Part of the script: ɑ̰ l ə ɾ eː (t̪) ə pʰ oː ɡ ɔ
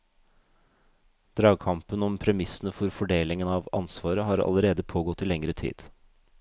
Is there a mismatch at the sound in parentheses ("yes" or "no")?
yes